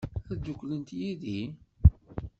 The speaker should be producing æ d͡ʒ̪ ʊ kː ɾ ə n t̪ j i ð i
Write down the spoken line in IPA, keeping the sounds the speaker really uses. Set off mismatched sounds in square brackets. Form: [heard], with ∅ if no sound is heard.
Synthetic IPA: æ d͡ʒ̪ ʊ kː [l] ə n t̪ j i ð i